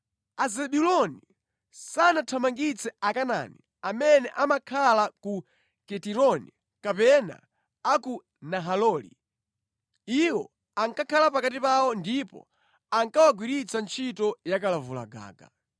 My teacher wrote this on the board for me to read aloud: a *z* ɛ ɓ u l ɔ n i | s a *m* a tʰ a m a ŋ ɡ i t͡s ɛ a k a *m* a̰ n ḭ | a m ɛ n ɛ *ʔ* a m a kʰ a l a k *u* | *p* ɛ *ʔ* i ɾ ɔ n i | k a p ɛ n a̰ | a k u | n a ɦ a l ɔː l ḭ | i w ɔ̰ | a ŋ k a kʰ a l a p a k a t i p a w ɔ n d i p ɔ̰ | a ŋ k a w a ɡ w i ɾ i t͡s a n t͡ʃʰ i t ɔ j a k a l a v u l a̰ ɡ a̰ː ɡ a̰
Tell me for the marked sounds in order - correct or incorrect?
correct, incorrect: n, incorrect: n, correct, correct, incorrect: k, incorrect: t

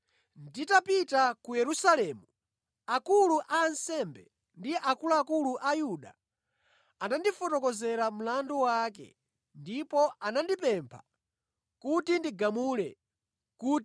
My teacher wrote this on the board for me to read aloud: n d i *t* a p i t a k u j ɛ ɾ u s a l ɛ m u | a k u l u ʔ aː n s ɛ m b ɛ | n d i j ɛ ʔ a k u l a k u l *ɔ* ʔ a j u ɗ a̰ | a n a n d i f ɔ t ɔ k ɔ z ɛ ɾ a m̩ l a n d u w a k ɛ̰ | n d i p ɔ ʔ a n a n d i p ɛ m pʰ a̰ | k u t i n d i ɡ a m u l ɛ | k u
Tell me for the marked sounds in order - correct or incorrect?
correct, incorrect: u

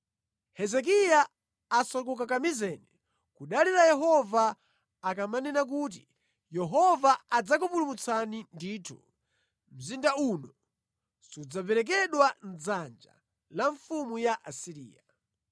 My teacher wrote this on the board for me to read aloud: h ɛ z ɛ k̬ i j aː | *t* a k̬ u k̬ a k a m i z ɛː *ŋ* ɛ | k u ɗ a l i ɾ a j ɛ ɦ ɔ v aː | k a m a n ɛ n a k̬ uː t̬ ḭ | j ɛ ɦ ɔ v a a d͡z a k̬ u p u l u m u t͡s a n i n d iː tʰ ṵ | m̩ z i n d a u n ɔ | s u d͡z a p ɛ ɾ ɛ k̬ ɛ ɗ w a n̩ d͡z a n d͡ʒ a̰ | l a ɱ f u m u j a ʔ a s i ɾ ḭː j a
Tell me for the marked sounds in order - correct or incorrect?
incorrect: s, incorrect: n

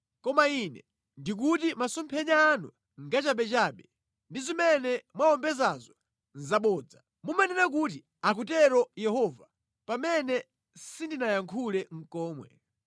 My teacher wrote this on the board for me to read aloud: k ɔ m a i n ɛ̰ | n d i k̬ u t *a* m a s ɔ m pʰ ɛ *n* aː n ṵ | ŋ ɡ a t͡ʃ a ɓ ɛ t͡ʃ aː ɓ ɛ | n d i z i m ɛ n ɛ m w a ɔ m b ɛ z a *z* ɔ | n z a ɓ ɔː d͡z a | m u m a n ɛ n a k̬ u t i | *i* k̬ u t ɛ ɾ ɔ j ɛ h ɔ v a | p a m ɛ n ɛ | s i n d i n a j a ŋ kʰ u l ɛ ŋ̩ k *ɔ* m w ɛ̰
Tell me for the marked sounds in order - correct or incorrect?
incorrect: i, incorrect: ɲ, correct, incorrect: a, incorrect: ɔː

